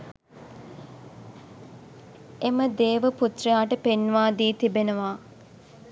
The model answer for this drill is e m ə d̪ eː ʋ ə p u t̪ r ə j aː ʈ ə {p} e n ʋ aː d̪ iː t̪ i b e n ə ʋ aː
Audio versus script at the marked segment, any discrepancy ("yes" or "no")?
no